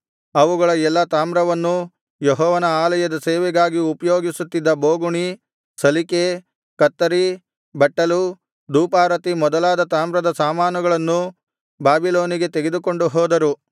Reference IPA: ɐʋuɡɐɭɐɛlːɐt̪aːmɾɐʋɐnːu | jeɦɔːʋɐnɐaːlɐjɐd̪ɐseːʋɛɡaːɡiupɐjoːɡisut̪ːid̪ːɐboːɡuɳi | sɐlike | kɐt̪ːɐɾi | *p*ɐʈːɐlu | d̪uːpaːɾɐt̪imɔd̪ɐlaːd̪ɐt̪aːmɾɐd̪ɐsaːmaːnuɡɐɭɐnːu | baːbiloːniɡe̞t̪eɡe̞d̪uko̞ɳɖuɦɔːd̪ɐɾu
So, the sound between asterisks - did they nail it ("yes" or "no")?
no